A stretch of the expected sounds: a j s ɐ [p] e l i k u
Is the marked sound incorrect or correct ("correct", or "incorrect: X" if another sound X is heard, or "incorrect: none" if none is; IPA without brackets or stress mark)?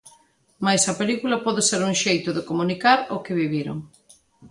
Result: correct